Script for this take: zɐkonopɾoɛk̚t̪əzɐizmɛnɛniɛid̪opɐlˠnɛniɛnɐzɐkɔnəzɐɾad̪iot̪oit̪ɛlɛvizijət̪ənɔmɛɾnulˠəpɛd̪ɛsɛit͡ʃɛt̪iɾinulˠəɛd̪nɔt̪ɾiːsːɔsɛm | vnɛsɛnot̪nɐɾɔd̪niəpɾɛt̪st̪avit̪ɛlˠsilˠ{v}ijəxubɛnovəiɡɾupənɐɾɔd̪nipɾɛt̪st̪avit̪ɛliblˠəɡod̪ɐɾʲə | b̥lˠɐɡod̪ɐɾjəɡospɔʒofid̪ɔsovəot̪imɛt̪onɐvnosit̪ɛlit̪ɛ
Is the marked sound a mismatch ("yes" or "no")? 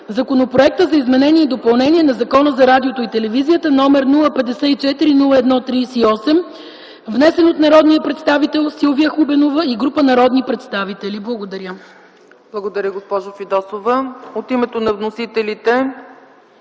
no